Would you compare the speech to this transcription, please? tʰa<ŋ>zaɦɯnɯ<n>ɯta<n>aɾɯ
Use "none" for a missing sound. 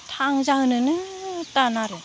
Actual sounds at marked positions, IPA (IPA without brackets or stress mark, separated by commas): ŋ, n, n